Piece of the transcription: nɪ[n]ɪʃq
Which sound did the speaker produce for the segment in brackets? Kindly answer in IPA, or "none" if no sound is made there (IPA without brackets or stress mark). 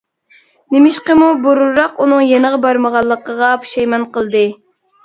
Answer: m